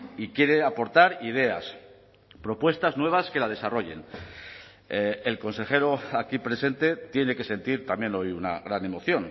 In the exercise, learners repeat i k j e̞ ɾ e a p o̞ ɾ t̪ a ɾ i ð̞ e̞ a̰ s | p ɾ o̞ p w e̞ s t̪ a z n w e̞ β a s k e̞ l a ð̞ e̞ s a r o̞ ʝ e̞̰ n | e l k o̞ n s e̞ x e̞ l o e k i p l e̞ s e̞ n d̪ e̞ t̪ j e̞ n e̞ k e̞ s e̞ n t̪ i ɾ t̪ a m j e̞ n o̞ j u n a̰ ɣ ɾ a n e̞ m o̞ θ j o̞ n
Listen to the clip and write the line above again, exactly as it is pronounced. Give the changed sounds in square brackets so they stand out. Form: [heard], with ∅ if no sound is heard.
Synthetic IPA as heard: i k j e̞ ɾ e a p o̞ ɾ t̪ a ɾ i ð̞ e̞ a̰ s | p ɾ o̞ p w e̞ s t̪ a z n w e̞ β a s k e̞ l a ð̞ e̞ s a r o̞ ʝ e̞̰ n | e l k o̞ n s e̞ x e̞ [ɾ] o [a] k i p [ɾ] e̞ s e̞ n [t̪] e̞ t̪ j e̞ n e̞ k e̞ s e̞ n t̪ i ɾ t̪ a m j e̞ n o̞ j u n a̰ ɣ ɾ a n e̞ m o̞ θ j o̞ n